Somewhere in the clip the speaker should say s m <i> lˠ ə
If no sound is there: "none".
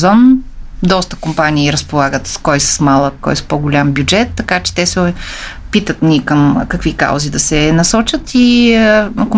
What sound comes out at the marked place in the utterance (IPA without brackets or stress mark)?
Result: a